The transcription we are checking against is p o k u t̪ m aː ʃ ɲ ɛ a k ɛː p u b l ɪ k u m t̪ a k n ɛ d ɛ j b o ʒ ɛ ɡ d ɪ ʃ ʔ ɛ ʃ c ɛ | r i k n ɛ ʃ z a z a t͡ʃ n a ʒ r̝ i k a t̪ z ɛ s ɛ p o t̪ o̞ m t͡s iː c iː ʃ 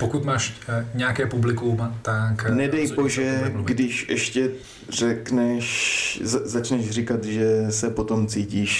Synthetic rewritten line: p o k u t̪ m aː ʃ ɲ ɛ a k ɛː p u b l ɪ k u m t̪ a k n ɛ d ɛ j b o ʒ ɛ ɡ d ɪ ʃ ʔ ɛ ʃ c ɛ | r ɛ k n ɛ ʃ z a z a t͡ʃ n ɛ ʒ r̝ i k a t̪ ʒ ɛ s ɛ p o t̪ o̞ m t͡s iː c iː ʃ